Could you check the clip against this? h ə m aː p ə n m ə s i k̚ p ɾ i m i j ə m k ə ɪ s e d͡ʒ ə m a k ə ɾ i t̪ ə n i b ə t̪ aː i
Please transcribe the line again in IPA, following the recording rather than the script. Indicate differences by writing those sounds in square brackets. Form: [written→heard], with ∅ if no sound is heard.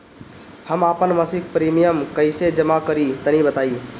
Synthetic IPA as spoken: h ə m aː p ə n m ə s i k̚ p ɾ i m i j ə m k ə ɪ s e d͡ʒ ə m a k ə ɾ i t̪ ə n i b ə t̪ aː i